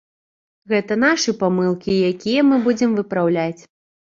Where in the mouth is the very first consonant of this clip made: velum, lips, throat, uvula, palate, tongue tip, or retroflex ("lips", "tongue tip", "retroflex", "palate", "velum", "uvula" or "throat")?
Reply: velum